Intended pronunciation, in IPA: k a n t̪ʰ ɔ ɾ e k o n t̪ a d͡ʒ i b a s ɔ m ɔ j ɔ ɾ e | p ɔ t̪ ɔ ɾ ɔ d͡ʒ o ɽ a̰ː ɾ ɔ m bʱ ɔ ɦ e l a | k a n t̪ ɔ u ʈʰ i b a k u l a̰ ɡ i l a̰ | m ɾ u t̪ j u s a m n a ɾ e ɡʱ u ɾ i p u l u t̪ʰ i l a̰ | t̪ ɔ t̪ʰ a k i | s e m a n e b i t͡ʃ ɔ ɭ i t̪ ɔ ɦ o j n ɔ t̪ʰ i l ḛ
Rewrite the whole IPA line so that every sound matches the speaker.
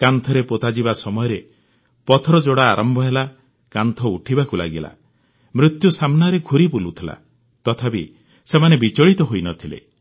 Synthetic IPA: k a n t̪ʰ ɔ ɾ e p o t̪ a d͡ʒ i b a s ɔ m ɔ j ɔ ɾ e | p ɔ t̪ʰ ɔ ɾ ɔ d͡ʒ o ɽ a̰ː ɾ ɔ m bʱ ɔ ɦ e l a | k a n t̪ʰ ɔ u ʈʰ i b a k u l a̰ ɡ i l a̰ | m ɾ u t̪ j u s a m n a ɾ e ɡʱ u ɾ i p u l u t̪ʰ i l a̰ | t̪ ɔ t̪ʰ a p i | s e m a n e b i t͡ʃ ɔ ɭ i t̪ ɔ ɦ o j n ɔ t̪ʰ i l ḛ